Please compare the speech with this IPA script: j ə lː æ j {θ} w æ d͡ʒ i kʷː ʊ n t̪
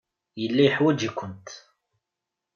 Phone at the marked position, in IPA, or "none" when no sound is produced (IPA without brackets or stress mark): ħ